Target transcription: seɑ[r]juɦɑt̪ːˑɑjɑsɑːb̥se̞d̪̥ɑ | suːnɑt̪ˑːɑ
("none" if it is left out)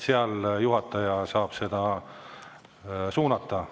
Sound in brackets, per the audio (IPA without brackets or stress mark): l